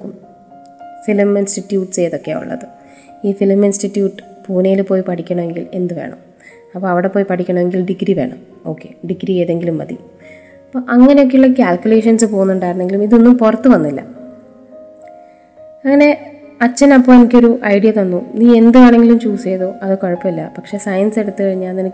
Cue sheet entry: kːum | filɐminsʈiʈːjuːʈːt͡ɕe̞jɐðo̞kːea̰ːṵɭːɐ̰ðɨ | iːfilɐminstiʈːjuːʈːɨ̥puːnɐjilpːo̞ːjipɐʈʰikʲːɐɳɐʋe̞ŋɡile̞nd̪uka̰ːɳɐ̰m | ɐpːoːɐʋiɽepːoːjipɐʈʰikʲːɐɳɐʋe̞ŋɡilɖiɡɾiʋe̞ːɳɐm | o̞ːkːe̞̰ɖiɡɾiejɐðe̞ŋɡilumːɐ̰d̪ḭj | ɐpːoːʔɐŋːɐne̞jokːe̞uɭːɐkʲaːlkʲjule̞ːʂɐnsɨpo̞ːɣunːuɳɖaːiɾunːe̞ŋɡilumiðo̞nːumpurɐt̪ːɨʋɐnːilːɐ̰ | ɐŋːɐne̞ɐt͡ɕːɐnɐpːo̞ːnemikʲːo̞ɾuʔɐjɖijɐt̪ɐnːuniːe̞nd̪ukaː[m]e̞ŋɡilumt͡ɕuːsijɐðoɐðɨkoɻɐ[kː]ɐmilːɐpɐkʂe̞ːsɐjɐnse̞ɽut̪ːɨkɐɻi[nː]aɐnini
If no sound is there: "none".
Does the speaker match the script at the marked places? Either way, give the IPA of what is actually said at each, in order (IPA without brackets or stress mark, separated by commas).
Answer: ɳ, pː, ɲː